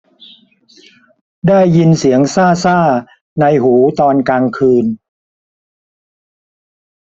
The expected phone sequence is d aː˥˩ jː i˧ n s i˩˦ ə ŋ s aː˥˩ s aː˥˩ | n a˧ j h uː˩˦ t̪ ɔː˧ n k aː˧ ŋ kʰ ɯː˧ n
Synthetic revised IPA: d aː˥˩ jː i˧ n s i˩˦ ə ŋ s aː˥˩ s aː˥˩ | n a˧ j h uː˩˦ t̪ ɔː˧ n k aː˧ ŋ kʰ ɯː˧ n